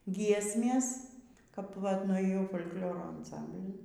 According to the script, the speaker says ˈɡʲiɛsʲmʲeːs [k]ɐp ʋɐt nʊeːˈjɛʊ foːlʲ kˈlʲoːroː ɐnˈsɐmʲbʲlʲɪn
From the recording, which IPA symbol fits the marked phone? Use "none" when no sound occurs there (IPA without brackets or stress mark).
k